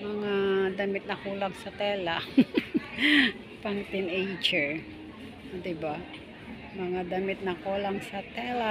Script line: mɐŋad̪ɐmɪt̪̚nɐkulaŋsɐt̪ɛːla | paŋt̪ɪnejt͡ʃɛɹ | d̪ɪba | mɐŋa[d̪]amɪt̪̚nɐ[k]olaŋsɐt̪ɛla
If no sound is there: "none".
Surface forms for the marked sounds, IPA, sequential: d̪, k

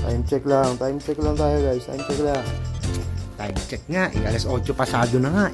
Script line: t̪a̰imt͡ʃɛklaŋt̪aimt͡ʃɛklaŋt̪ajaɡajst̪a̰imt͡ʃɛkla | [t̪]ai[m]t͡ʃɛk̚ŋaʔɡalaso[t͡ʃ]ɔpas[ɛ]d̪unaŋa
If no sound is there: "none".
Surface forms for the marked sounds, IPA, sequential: t̪, m, t͡ʃ, a

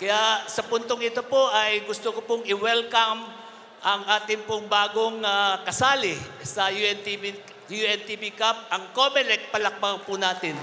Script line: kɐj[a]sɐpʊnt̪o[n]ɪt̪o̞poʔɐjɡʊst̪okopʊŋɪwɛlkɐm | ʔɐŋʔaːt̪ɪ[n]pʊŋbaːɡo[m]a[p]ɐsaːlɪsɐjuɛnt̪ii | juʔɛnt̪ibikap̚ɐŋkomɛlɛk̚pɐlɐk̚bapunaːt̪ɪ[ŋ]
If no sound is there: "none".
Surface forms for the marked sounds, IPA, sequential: a, ŋ, ŋ, ŋ, k, n

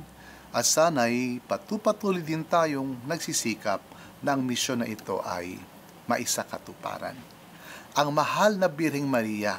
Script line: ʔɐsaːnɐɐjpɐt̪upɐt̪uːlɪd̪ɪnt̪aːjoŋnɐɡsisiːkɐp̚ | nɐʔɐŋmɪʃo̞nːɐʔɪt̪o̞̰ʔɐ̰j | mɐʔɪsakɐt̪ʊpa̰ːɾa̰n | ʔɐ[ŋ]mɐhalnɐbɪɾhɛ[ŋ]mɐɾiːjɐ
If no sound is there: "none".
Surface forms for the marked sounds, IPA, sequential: ŋ, ŋ

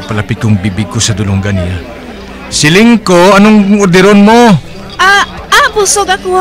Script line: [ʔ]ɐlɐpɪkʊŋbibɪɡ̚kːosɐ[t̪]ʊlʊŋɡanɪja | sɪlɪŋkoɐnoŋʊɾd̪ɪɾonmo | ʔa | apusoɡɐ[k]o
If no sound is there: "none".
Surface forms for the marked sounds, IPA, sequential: p, d̪, k

